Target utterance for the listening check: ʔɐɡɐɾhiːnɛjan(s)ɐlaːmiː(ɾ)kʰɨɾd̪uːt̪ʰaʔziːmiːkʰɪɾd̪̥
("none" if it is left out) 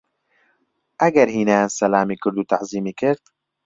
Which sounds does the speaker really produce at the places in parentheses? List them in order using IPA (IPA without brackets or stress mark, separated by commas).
s, none